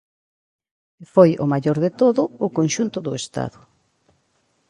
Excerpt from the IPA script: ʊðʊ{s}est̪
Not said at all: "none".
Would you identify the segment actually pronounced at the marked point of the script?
none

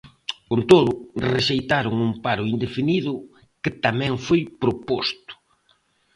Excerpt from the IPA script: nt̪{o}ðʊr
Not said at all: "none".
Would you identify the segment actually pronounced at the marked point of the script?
o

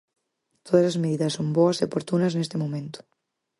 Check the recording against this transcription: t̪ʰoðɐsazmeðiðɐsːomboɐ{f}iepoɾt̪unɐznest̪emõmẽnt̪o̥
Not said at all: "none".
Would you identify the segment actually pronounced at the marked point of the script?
s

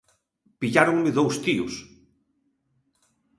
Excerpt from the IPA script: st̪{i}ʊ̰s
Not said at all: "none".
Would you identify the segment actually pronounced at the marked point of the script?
i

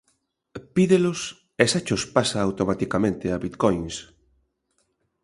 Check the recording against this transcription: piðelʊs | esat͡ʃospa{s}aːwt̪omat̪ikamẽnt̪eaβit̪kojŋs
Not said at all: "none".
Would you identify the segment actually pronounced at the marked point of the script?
s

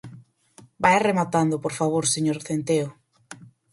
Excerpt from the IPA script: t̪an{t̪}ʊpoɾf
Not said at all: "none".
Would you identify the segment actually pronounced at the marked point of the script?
d̪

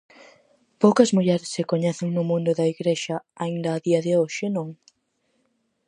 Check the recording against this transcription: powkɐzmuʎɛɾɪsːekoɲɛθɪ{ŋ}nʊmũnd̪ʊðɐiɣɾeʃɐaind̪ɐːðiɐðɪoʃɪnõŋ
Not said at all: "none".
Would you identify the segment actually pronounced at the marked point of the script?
ŋ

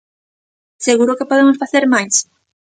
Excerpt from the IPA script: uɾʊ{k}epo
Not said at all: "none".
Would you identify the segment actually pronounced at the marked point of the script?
k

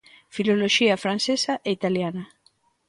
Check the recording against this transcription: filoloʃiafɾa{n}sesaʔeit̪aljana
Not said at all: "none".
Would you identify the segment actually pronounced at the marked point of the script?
n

